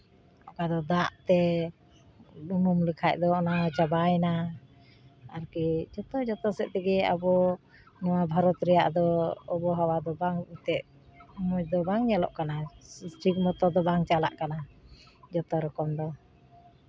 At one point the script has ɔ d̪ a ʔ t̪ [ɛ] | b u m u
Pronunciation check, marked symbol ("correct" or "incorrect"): correct